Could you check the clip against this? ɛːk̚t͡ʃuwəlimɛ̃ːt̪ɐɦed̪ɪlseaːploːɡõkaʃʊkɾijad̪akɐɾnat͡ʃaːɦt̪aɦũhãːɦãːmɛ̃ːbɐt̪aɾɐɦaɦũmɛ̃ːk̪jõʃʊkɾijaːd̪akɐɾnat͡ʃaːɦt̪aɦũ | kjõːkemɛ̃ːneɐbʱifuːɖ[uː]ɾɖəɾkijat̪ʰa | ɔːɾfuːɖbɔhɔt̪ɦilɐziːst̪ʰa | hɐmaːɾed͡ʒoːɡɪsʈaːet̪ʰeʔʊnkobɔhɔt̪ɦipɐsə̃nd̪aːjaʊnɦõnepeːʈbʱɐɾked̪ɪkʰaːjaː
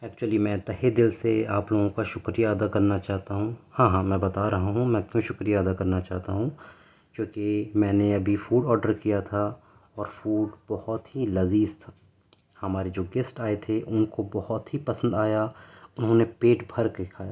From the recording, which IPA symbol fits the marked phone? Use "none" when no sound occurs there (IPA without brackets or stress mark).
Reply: ɔː